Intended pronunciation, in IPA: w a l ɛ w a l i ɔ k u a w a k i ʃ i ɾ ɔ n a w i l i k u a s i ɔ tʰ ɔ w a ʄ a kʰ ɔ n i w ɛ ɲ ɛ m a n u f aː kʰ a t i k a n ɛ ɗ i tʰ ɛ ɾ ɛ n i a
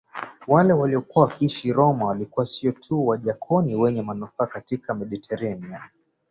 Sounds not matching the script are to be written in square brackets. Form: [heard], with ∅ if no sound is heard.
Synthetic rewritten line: w a l ɛ w a l i ɔ k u a w a k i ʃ i ɾ ɔ [m] a w [a] l i k u a s i ɔ tʰ [u] w a ʄ a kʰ ɔ n i w ɛ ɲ ɛ m a n u f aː [k] a t i k a [m] ɛ ɗ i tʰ ɛ ɾ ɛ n i a